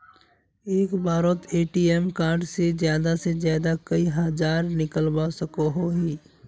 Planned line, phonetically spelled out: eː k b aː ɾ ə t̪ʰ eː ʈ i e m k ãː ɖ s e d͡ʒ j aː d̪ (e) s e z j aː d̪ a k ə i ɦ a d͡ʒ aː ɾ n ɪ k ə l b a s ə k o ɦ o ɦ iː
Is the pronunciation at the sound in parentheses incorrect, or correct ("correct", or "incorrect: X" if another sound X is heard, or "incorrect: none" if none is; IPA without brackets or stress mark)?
incorrect: a